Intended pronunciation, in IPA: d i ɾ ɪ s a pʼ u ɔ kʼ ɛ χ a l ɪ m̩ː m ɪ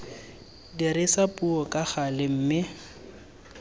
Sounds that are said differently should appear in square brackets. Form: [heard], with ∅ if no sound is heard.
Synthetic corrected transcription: d i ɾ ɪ s a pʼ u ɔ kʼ [a] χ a l ɪ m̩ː m ɪ